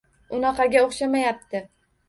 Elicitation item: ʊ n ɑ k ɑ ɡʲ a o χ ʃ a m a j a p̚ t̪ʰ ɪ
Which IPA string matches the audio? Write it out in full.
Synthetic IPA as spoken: ʊ n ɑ q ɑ ɡʲ a o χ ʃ a m a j a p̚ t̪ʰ ɪ